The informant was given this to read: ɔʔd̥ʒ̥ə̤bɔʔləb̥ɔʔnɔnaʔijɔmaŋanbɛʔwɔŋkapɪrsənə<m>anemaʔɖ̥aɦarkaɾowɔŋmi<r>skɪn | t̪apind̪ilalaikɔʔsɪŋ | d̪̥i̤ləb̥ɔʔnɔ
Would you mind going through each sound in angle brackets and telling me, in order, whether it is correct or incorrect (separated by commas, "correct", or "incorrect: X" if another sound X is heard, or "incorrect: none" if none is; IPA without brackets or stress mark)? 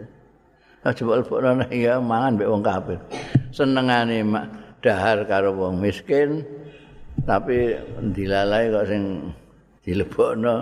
incorrect: ŋ, incorrect: none